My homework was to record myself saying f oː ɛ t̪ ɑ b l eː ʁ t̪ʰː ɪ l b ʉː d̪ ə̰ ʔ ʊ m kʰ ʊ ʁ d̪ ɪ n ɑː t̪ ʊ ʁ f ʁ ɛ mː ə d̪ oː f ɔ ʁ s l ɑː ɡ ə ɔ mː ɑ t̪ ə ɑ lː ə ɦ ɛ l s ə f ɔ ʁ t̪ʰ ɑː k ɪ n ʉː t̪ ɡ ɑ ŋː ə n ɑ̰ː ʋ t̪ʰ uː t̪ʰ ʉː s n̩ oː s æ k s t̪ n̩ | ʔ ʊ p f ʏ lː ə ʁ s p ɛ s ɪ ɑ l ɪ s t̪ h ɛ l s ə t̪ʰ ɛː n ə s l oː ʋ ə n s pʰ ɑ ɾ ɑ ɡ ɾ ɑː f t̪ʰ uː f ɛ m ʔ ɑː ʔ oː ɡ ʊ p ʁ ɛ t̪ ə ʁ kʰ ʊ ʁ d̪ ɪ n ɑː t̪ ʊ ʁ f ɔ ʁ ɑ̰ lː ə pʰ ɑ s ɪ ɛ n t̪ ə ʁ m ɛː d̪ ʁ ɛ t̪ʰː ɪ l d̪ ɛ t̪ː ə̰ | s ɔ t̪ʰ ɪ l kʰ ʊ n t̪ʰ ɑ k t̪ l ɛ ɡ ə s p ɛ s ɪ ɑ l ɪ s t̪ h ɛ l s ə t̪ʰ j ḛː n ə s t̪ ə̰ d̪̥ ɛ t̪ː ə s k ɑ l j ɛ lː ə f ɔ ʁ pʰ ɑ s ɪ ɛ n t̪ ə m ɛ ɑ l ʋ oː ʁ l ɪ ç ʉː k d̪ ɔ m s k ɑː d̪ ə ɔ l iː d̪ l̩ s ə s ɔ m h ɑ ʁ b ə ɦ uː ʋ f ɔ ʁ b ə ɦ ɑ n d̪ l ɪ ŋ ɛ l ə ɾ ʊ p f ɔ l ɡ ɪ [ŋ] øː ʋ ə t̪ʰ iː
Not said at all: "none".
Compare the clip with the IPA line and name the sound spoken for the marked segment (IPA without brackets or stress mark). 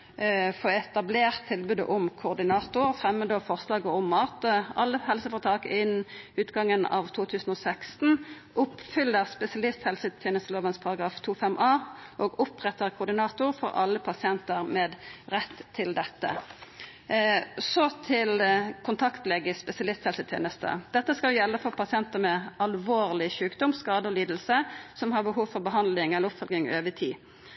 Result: ŋ